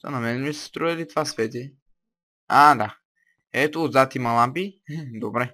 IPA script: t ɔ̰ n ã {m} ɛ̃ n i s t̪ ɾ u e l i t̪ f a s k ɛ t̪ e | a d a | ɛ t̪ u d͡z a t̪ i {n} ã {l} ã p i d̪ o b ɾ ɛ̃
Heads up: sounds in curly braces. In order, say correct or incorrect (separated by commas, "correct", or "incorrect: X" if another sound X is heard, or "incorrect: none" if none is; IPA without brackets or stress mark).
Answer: correct, incorrect: m, correct